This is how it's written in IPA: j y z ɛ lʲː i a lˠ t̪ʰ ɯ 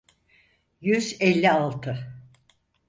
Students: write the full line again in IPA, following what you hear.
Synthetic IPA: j y z ɛ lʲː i a lˠ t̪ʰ ɯ